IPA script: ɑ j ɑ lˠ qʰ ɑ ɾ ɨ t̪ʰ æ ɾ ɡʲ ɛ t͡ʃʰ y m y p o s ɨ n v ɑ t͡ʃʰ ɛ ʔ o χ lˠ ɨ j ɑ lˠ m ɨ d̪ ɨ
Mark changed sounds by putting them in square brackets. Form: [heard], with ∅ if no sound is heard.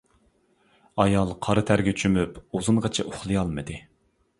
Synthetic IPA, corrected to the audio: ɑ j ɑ lˠ qʰ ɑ ɾ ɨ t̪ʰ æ ɾ ɡʲ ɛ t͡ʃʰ y m y p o [z] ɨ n [ʁ] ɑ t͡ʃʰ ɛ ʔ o χ lˠ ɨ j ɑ lˠ m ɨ d̪ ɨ